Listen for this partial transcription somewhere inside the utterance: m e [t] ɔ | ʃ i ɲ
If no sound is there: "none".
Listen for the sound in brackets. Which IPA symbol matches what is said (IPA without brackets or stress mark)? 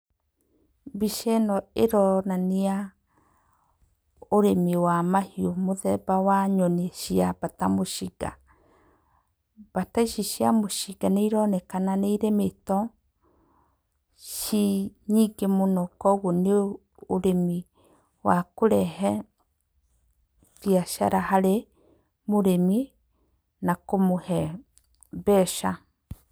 t